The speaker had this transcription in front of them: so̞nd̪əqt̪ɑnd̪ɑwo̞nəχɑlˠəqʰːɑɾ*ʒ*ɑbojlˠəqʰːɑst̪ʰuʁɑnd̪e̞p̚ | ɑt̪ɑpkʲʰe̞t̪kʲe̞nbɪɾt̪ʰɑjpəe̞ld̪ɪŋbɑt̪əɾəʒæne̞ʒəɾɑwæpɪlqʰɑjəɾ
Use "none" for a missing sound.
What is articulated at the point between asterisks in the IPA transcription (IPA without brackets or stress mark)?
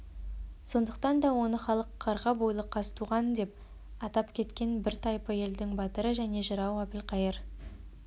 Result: ʁ